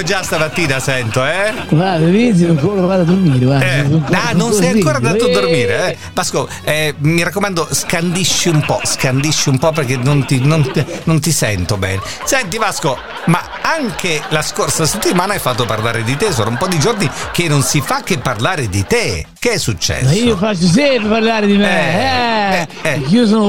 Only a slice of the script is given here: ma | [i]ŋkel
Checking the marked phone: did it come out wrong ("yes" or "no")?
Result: yes